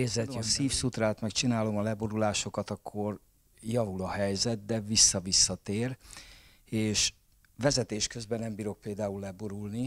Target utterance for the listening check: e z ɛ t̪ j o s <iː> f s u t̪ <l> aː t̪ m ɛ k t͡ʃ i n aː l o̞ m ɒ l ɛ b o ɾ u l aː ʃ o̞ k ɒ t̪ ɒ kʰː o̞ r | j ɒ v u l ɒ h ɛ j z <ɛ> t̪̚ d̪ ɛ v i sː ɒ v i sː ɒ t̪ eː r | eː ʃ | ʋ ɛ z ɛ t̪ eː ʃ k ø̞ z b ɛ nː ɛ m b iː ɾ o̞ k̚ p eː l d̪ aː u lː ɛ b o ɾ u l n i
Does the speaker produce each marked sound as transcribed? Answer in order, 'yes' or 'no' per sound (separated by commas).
yes, no, yes